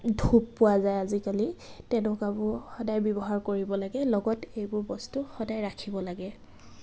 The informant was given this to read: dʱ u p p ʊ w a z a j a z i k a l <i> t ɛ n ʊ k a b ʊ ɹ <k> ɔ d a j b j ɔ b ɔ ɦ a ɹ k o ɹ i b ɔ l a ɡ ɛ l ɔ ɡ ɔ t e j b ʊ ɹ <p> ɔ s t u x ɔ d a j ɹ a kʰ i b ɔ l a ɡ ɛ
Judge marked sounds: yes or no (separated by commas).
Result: yes, no, no